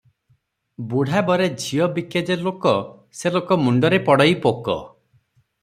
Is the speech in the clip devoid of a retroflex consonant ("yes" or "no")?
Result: no